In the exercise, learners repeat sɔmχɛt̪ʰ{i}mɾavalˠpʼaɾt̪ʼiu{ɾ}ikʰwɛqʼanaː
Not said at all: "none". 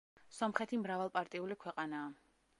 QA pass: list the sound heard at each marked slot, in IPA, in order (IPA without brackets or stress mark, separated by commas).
i, l